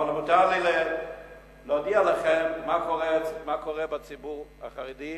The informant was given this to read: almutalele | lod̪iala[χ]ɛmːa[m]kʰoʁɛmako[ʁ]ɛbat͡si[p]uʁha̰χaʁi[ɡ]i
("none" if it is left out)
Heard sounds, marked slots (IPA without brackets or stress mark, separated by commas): χ, none, ʁ, b, d